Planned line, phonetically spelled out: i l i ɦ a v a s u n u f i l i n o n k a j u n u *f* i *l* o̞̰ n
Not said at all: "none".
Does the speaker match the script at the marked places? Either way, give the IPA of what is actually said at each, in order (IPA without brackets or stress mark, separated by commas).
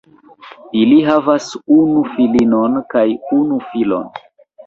f, l